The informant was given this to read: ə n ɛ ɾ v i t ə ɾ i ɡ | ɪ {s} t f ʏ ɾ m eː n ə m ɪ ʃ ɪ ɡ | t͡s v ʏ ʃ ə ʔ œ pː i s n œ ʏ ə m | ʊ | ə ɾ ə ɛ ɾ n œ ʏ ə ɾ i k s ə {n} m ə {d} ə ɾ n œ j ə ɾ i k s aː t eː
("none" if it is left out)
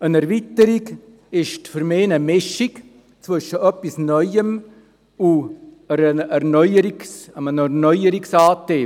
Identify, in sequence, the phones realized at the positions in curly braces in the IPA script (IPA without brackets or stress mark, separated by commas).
ʃ, none, n